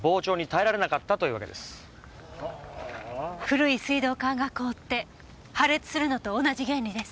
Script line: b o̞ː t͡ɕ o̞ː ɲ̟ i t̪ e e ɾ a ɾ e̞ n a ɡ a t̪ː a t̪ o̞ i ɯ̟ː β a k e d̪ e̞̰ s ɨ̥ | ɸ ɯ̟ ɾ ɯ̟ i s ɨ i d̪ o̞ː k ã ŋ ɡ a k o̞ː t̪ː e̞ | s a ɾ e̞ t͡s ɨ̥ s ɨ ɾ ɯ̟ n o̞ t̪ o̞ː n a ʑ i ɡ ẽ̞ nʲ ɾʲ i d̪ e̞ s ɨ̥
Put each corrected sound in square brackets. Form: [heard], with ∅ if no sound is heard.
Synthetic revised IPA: b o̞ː t͡ɕ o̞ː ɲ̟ i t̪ [a] e ɾ a ɾ e̞ n a [k] a t̪ː a t̪ o̞ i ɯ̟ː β a k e d̪ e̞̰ s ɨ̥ | ɸ ɯ̟ ɾ ɯ̟ i s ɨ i d̪ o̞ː k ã ŋ ɡ a k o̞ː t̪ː e̞ | [h] a ɾ e̞ t͡s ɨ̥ s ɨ ɾ ɯ̟ n o̞ t̪ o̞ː n a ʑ i ɡ ẽ̞ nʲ ɾʲ i d̪ e̞ s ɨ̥